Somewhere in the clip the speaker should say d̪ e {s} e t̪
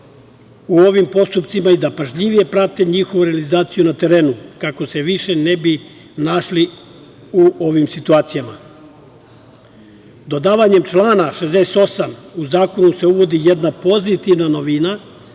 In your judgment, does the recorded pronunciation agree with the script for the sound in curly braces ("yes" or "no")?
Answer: yes